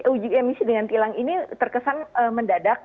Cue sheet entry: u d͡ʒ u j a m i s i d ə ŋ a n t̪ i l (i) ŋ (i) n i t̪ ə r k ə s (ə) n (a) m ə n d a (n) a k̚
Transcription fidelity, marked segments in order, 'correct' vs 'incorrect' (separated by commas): incorrect, correct, incorrect, incorrect, incorrect